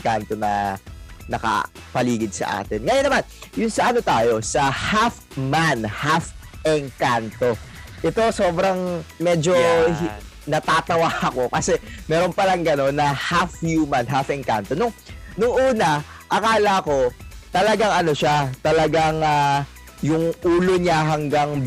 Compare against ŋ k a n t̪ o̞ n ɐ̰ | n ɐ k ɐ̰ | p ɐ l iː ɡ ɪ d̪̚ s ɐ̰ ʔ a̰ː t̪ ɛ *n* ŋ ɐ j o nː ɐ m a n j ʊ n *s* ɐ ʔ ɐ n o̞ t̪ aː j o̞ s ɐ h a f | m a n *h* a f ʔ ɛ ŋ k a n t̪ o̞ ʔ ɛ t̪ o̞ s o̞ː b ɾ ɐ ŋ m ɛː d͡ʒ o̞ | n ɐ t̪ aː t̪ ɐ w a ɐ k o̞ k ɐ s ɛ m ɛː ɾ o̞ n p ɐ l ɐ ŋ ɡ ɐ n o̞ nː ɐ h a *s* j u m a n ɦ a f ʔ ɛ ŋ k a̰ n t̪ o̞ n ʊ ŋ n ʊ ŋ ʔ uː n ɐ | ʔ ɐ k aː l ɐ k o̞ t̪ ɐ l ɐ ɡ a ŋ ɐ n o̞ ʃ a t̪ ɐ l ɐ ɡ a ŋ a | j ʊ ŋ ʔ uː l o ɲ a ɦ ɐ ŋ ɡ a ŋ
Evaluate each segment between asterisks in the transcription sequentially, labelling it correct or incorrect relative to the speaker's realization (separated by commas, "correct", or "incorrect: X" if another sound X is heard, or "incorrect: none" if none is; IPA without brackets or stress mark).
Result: correct, correct, correct, incorrect: f